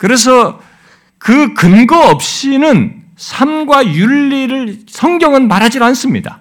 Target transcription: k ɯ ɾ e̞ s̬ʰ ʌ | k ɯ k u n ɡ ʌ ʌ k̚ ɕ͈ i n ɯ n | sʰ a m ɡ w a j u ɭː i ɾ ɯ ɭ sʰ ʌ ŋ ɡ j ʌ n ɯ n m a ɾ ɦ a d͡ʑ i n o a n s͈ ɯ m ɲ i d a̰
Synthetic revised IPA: k ɯ ɾ e̞ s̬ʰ ʌ | k ɯ k ɯ n ɡ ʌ ʌ p̚ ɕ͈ i n ɯ n | sʰ a m ɡ w a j u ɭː i ɾ ɯ ɭ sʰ ʌ ŋ ɡ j ʌ ŋ ɯ n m a ɾ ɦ a d͡ʑ i d o a n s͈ ɯ m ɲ i d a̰